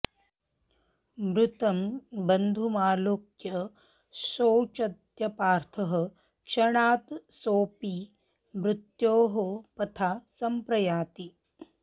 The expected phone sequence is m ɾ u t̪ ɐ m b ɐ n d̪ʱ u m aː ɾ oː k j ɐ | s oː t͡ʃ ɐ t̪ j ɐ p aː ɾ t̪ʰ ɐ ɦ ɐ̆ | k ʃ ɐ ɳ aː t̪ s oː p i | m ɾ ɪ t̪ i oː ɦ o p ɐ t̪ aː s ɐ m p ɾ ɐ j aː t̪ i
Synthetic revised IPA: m ɾ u t̪ ɐ m b ɐ n d̪ʱ u m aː l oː k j ɐ | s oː t͡ʃ ɐ t̪ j ɐ p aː ɾ t̪ʰ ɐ ɦ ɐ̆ | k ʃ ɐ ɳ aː t̪ s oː p i | m ɾ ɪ t̪ j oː ɦ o p ɐ t̪ʰ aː s ɐ m p ɾ ɐ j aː t̪ i